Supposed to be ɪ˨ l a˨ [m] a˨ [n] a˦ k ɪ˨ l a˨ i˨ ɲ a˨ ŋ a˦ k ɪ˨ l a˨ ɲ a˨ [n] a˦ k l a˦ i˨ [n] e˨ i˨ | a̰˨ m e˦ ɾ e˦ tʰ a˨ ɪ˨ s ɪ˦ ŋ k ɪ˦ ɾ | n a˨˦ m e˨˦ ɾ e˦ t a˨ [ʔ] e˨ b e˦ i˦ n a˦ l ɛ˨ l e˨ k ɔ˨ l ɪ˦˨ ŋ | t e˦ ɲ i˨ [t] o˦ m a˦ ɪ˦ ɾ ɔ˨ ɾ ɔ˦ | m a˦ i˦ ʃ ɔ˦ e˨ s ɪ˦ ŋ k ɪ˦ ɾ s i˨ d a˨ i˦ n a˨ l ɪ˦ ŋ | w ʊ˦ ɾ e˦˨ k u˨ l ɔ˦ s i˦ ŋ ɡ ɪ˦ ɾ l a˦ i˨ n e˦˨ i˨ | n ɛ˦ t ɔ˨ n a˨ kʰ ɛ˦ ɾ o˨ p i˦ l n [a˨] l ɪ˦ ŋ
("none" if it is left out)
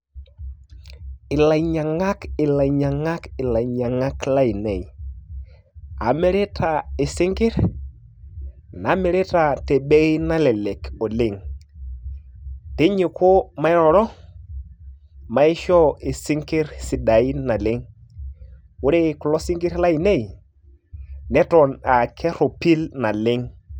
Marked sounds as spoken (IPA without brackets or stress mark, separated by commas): ɲ, ŋ, ŋ, n, t, k, a˨